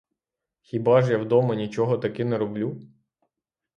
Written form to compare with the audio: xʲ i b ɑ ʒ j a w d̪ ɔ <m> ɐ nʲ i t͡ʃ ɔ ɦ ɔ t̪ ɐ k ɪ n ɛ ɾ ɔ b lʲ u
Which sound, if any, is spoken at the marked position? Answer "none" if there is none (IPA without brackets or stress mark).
m